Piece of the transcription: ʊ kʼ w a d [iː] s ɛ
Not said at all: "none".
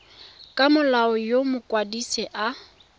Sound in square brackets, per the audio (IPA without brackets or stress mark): i